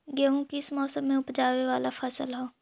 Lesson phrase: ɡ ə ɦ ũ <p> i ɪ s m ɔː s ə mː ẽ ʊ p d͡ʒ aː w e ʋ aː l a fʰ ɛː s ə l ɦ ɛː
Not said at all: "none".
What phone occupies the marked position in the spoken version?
k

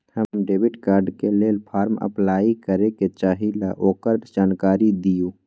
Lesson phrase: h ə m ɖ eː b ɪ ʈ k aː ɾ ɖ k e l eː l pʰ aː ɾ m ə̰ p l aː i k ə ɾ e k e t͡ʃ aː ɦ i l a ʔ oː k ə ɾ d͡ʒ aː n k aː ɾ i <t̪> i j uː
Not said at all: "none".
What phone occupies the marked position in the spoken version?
d̪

